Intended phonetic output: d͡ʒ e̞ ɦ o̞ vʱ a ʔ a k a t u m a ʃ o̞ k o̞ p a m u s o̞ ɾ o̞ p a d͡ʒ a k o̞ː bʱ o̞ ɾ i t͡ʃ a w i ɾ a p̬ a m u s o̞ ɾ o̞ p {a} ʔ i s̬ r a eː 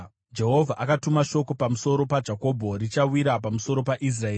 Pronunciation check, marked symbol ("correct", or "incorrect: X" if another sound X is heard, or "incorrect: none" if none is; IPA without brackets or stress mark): correct